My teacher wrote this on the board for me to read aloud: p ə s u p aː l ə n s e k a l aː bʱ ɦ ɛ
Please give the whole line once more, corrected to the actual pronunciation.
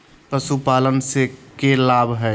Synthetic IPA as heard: p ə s u p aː l ə n s e k e l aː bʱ ɦ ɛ